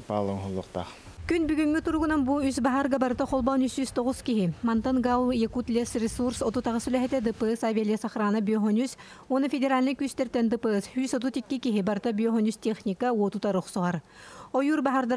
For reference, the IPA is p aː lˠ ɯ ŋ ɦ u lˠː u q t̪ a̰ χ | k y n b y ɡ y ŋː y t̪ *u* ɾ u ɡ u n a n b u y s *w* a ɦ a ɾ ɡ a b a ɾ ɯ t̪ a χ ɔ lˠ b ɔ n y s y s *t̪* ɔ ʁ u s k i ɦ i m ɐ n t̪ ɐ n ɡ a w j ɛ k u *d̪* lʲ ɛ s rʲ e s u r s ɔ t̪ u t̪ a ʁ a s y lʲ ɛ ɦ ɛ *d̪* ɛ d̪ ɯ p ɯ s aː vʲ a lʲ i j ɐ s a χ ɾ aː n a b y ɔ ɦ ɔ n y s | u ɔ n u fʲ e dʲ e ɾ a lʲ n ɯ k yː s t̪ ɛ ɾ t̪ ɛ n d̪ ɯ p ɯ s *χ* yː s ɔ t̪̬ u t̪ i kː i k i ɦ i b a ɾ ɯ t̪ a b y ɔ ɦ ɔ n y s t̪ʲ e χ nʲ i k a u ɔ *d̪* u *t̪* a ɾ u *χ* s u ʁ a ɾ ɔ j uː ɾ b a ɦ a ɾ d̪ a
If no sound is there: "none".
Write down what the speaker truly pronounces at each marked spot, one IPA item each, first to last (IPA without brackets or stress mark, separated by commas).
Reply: u, b, t̪, t̪, t̪, h, t̪, t̪, χ